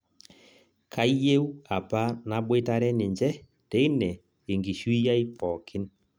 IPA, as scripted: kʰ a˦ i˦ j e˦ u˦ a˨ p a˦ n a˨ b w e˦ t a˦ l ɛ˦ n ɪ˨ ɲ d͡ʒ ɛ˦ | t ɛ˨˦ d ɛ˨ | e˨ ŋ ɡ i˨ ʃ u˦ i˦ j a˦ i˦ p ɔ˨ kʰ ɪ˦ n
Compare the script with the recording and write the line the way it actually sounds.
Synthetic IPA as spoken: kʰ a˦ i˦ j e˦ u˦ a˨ p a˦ n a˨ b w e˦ t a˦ ɾ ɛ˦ n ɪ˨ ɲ d͡ʒ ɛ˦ | t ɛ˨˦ n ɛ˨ | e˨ ŋ ɡ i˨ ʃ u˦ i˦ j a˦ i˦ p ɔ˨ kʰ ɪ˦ n